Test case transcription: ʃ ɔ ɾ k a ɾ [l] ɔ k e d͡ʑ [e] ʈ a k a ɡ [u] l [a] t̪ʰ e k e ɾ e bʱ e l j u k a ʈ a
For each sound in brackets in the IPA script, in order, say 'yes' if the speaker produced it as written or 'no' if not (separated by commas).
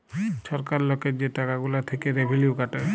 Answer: yes, yes, yes, yes